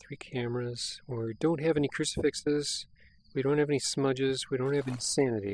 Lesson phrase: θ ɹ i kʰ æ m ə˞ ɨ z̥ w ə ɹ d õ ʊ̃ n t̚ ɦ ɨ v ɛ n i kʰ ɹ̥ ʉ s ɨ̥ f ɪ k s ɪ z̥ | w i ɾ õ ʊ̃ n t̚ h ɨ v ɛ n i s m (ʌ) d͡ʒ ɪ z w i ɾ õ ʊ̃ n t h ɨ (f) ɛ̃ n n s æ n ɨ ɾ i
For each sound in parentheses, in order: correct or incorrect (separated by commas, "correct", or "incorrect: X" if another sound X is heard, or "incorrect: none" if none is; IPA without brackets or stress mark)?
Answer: correct, incorrect: v